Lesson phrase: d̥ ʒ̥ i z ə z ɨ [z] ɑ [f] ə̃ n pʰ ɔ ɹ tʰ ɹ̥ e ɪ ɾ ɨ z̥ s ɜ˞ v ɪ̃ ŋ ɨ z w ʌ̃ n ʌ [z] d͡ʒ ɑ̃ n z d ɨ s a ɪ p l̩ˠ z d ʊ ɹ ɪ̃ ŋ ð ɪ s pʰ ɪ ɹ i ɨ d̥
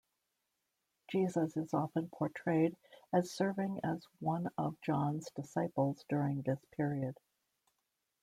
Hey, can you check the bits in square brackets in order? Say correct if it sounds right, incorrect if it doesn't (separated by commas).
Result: correct, correct, incorrect